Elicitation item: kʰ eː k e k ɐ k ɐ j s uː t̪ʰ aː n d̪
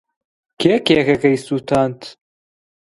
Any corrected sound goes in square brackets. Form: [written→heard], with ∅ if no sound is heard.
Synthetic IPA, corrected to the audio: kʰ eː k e k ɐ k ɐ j s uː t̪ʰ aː n [d̪→t̪]